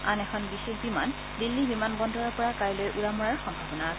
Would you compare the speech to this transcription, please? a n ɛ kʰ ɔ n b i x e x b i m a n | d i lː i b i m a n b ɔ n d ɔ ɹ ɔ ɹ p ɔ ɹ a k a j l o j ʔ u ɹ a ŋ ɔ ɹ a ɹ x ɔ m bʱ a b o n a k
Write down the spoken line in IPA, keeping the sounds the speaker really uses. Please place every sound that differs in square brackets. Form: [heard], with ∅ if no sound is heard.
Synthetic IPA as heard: a n ɛ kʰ ɔ n b i x e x b i m a n | d i lː i b i m a n b ɔ n d ɔ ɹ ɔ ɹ p ɔ ɹ a k a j l o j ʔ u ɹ a [m] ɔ ɹ a ɹ x ɔ m bʱ a b [ɔ] n a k